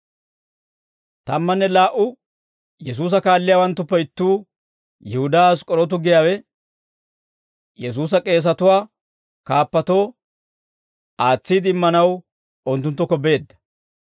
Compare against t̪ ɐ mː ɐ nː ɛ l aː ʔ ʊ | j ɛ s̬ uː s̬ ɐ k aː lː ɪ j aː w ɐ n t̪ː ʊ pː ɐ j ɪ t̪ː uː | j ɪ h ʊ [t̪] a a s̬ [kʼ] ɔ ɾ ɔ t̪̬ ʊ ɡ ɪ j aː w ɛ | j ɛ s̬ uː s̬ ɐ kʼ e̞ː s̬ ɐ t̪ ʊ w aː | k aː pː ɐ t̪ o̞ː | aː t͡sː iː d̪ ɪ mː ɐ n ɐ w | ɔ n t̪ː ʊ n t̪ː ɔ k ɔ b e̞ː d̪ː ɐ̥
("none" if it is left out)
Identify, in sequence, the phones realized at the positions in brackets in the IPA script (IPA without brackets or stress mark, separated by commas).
d̪, kʼ